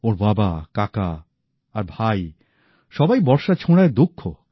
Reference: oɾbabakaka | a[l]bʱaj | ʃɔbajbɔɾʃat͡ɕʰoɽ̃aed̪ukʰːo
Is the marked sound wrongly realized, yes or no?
yes